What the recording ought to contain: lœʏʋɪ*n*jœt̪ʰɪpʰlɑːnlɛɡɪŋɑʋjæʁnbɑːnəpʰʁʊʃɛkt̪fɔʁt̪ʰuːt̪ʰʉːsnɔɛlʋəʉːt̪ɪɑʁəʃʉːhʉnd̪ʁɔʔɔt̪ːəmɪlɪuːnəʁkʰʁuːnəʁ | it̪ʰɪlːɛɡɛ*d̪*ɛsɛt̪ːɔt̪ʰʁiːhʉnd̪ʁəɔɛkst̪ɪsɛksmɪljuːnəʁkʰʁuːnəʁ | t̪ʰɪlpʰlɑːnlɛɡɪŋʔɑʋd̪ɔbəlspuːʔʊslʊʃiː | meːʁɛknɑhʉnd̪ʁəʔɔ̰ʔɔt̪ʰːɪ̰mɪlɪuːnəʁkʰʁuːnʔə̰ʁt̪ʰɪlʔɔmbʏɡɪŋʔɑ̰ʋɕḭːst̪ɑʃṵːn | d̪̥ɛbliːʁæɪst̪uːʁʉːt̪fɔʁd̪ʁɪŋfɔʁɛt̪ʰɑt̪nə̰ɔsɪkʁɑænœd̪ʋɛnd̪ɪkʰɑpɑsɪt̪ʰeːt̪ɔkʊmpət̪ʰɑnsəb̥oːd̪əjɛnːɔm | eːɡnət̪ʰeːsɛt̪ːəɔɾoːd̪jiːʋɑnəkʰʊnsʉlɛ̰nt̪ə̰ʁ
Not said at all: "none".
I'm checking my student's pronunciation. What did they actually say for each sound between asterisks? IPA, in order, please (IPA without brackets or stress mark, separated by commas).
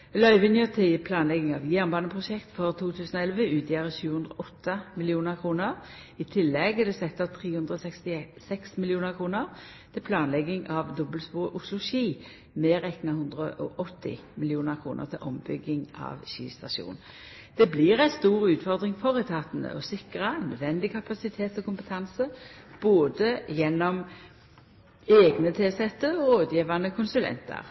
n, d̪